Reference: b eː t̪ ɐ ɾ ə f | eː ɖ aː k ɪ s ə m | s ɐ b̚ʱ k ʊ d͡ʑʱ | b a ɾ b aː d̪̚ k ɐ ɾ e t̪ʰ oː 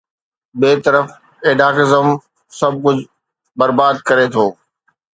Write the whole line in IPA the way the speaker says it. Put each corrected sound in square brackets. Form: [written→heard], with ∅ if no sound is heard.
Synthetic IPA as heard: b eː t̪ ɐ ɾ ə f | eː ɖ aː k ɪ [s→z] ə m | s ɐ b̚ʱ k ʊ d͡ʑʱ | b [a→ɐ] ɾ b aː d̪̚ k ɐ ɾ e t̪ʰ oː